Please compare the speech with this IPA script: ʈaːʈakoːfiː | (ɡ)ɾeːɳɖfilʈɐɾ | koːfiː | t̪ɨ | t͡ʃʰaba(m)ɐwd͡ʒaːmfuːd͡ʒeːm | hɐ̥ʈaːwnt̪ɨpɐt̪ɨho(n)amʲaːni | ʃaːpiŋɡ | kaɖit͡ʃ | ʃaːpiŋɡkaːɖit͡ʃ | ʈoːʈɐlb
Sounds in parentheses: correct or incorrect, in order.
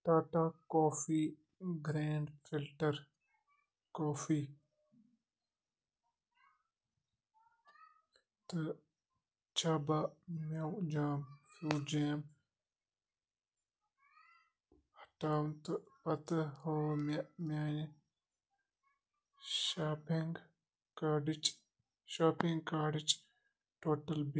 correct, correct, incorrect: m

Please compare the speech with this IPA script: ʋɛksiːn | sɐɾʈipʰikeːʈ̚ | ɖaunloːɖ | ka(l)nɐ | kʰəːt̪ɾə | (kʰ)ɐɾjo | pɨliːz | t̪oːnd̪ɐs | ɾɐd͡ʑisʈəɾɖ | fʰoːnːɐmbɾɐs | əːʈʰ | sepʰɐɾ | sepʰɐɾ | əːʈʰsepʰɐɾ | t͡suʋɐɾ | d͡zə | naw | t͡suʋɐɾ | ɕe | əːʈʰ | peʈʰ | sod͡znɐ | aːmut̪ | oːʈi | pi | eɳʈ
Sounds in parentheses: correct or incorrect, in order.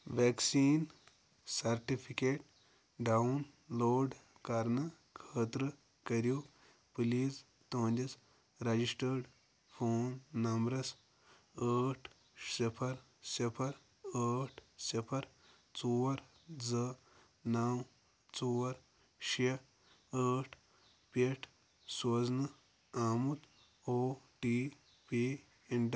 incorrect: ɾ, incorrect: k

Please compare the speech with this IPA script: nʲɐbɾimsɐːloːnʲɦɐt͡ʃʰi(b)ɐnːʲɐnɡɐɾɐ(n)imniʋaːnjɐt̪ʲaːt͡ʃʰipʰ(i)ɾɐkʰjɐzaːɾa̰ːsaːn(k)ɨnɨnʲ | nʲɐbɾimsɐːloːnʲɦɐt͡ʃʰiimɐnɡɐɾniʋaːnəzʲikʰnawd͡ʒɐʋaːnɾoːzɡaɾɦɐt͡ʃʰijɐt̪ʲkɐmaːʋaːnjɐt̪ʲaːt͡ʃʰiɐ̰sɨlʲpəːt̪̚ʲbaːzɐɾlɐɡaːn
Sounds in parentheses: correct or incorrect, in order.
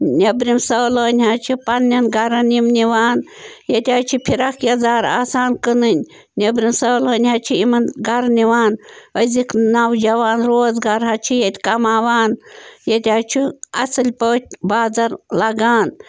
incorrect: p, correct, correct, correct

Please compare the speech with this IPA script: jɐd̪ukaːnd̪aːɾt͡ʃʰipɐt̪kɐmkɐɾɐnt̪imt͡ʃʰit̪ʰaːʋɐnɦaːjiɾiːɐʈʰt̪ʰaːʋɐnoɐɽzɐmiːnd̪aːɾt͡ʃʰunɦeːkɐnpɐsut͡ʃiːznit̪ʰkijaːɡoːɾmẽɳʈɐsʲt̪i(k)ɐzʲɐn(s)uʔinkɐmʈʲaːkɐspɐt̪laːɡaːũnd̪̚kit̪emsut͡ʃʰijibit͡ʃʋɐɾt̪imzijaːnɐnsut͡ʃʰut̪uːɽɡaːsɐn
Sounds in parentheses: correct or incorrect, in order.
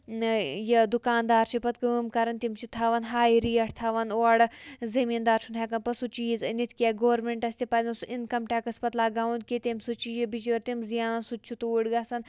incorrect: p, correct

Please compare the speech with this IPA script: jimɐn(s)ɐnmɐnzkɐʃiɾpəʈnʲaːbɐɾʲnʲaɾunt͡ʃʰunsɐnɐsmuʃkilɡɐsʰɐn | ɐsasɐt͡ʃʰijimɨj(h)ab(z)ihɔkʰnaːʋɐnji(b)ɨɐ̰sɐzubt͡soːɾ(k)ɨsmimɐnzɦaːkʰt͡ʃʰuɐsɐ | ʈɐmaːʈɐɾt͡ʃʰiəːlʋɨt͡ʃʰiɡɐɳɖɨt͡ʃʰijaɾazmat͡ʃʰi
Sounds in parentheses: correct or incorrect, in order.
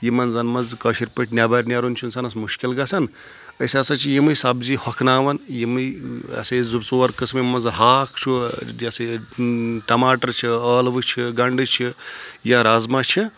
incorrect: z, incorrect: s, correct, incorrect: m, correct

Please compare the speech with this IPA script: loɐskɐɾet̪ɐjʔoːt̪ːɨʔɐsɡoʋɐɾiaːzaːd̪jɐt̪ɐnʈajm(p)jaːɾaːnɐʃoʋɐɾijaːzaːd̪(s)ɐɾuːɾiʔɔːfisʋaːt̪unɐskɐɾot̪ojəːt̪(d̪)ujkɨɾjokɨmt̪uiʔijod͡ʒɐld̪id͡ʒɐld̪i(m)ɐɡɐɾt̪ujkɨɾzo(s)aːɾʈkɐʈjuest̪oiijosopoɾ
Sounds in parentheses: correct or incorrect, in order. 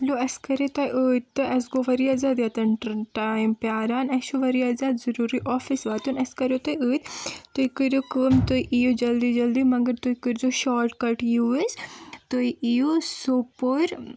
correct, incorrect: z, incorrect: t̪, correct, incorrect: ʃ

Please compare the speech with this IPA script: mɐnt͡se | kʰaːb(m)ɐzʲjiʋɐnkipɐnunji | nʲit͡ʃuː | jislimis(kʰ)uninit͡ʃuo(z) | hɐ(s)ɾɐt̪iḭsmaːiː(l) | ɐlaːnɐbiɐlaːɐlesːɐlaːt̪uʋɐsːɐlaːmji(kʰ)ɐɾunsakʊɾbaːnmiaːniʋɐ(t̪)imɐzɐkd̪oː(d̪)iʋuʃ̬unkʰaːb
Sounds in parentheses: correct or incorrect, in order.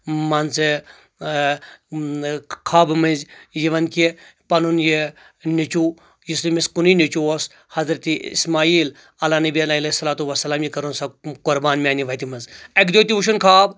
correct, incorrect: k, incorrect: s, incorrect: z, correct, incorrect: k, correct, incorrect: t̪

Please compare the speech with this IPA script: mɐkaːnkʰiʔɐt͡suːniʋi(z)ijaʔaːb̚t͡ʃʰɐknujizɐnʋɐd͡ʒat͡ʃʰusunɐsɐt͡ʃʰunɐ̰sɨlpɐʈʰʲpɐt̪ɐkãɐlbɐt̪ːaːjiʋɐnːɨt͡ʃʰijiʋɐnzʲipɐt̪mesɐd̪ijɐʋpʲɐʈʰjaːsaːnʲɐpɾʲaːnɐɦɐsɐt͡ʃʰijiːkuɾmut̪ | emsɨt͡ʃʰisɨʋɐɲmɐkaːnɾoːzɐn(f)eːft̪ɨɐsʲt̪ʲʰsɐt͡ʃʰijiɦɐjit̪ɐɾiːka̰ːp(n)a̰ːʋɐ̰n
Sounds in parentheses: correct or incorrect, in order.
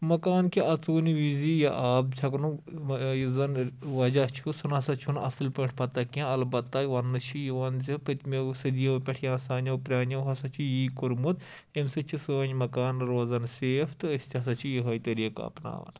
correct, incorrect: s, correct

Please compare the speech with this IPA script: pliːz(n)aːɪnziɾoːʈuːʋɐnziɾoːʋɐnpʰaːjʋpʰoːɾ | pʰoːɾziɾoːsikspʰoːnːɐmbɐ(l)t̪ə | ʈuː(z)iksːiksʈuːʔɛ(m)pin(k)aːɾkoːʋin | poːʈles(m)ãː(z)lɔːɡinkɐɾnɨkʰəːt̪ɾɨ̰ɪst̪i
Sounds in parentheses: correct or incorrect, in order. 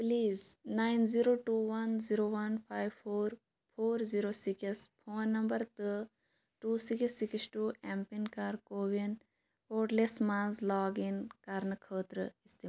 correct, incorrect: ɾ, incorrect: s, correct, correct, correct, correct

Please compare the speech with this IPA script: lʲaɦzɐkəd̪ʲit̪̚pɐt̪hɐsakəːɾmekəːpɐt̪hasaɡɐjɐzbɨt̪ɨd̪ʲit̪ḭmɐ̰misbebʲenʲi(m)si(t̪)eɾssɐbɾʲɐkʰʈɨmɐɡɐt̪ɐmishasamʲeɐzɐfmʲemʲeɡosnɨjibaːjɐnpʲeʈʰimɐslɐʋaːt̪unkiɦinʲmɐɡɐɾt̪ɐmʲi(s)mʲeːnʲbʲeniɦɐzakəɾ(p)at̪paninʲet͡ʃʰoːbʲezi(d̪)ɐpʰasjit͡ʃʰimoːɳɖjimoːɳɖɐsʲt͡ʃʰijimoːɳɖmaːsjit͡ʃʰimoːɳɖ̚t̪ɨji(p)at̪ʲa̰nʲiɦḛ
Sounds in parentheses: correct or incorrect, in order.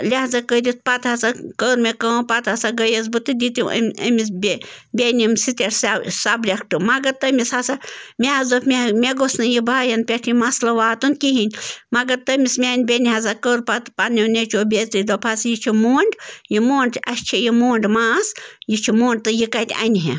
correct, correct, correct, correct, correct, incorrect: k

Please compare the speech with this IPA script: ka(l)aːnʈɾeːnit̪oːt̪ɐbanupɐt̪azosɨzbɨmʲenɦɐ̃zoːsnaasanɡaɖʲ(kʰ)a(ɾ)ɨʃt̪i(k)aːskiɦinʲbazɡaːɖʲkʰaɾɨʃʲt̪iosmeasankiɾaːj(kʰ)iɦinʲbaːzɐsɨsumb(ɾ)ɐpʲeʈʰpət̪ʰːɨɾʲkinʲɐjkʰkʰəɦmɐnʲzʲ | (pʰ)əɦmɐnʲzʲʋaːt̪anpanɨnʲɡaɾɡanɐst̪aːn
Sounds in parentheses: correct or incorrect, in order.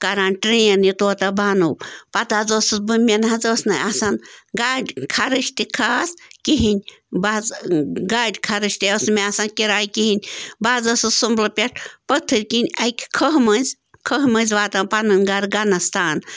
incorrect: ɾ, correct, correct, incorrect: kʰ, incorrect: k, incorrect: l, incorrect: kʰ

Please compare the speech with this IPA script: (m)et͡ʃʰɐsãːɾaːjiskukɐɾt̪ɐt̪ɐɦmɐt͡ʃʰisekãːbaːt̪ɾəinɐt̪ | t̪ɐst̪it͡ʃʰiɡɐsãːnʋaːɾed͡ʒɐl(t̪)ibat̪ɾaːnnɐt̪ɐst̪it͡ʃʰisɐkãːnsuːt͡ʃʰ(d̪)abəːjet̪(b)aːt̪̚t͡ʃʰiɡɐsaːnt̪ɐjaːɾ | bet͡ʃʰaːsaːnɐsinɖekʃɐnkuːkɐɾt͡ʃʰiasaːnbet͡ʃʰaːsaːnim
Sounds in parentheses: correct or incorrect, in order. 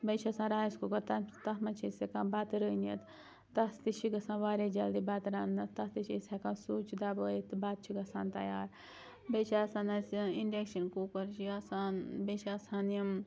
incorrect: b, incorrect: d̪, correct, correct

